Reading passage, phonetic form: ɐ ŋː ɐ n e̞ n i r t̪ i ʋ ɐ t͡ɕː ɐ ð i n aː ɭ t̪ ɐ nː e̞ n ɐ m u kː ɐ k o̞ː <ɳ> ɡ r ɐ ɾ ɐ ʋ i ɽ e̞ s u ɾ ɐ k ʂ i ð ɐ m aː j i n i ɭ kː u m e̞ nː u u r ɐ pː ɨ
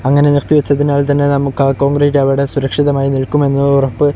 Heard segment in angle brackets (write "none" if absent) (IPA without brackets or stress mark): ŋ